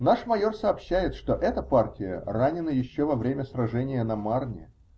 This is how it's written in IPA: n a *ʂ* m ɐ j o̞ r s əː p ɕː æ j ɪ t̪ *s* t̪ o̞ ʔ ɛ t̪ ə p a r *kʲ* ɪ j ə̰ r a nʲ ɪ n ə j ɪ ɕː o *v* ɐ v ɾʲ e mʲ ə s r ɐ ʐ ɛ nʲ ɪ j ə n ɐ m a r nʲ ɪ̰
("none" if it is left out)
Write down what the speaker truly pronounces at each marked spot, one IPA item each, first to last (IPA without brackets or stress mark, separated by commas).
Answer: ʂ, ʂ, tʲ, v